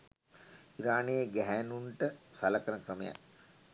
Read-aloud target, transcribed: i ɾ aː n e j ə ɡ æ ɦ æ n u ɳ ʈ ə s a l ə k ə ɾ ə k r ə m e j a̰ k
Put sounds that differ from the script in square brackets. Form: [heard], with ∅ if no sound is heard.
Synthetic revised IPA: i ɾ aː n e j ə ɡ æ ɦ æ n u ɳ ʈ ə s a l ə k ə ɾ ə k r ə m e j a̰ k